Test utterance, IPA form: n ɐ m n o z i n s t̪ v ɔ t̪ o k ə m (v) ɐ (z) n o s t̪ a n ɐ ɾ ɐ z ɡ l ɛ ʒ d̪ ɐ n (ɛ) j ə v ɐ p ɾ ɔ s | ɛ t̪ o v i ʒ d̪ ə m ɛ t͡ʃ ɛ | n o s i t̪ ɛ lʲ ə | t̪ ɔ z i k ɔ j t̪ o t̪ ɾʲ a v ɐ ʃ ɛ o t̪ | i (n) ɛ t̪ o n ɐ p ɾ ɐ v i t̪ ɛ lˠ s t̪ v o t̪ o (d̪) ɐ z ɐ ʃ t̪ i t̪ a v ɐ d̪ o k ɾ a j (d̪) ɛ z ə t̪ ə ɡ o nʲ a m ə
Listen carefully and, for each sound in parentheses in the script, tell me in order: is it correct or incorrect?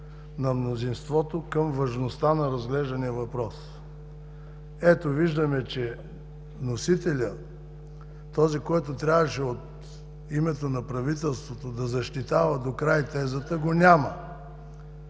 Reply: correct, incorrect, incorrect, incorrect, correct, incorrect

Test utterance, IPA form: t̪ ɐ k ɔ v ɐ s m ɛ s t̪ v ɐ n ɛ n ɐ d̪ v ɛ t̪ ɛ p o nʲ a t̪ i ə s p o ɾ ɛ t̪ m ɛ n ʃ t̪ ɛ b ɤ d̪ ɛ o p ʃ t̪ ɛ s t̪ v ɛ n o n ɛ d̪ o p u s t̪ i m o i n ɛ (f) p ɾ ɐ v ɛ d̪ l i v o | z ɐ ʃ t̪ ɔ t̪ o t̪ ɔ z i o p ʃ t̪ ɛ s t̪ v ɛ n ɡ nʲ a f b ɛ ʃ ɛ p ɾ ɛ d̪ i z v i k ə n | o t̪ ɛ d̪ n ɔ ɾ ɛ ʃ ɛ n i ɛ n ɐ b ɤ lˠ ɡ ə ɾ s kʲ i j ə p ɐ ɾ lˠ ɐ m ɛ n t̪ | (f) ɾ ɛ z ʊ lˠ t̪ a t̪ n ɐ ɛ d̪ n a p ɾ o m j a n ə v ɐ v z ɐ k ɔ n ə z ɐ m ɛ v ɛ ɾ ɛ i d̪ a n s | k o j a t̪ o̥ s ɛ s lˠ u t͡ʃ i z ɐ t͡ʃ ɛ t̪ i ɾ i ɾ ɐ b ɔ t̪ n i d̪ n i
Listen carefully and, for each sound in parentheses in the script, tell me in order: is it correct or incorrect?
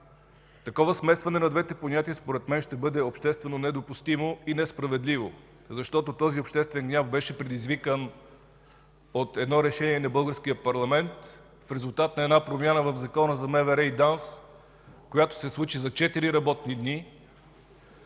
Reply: incorrect, correct

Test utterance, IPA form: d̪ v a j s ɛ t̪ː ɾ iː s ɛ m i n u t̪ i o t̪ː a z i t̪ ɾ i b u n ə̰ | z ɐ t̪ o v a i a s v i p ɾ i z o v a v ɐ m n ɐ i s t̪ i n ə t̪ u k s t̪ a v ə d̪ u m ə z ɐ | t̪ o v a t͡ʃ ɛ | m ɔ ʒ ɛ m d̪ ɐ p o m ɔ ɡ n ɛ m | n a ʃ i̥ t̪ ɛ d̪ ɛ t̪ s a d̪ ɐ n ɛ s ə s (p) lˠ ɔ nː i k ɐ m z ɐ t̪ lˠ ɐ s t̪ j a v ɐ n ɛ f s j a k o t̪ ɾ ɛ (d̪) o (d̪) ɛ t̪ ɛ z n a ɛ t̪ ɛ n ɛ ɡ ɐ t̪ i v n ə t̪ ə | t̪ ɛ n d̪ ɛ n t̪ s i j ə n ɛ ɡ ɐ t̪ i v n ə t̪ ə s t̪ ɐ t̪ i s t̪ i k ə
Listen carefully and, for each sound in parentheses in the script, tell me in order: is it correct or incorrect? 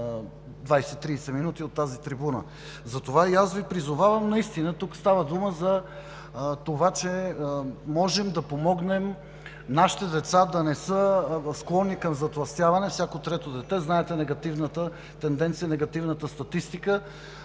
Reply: incorrect, incorrect, correct

